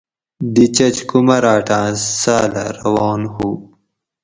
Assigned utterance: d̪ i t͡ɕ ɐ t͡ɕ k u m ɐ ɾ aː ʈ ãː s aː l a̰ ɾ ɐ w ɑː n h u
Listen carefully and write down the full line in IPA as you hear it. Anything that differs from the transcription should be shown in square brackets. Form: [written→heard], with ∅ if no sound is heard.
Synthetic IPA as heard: d̪ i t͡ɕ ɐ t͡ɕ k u m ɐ ɾ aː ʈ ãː s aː l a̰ ɾ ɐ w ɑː n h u